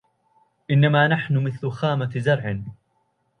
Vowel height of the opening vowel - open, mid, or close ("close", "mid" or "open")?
close